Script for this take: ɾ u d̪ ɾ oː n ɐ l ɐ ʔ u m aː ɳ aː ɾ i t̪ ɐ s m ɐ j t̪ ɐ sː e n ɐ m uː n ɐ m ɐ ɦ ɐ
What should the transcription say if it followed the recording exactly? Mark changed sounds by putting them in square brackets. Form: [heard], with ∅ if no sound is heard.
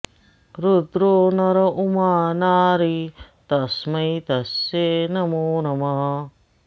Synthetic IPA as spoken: ɾ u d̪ ɾ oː n ɐ [ɾ] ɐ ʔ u m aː [n] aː ɾ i t̪ ɐ s m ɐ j t̪ ɐ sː e n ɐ m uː n ɐ m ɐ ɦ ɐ